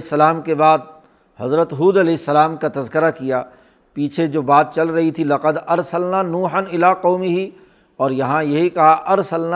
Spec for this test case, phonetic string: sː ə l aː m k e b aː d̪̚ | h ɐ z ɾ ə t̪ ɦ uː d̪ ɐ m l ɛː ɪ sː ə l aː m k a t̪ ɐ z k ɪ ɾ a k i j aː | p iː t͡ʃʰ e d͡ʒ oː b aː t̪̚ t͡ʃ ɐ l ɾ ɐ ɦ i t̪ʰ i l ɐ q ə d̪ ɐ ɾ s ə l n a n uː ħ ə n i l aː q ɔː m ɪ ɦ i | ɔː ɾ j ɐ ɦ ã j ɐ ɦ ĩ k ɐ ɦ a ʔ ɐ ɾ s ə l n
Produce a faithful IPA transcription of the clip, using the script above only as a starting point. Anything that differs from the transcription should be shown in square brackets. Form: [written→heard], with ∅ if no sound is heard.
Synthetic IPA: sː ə l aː m k e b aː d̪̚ | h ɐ z ɾ ə t̪ ɦ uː d̪ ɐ [m→∅] l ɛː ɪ sː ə l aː m k a t̪ ɐ z k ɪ ɾ a k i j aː | p iː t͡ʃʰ e d͡ʒ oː b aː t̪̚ t͡ʃ ɐ l ɾ ɐ ɦ i t̪ʰ i l ɐ q ə d̪ ɐ ɾ s ə l n a n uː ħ ə n [i→ɪ] l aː q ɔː m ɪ ɦ i | ɔː ɾ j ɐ ɦ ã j ɐ ɦ [ĩ→i] k ɐ ɦ a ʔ ɐ ɾ s ə l n